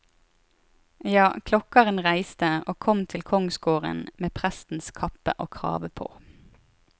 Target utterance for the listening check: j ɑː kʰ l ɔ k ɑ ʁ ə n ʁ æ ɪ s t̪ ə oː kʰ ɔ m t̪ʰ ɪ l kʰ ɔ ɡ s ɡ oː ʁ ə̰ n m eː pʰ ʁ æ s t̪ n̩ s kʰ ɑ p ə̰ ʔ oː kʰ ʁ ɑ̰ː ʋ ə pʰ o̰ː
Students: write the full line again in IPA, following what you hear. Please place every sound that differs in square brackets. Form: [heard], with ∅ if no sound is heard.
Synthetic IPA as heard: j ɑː kʰ l ɔ k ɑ ʁ ə n ʁ æ ɪ s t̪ ə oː kʰ ɔ m t̪ʰ ɪ l kʰ ɔ [ŋ] s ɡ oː ʁ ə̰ n m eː pʰ ʁ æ s t̪ n̩ s kʰ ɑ p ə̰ ʔ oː kʰ ʁ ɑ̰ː ʋ ə pʰ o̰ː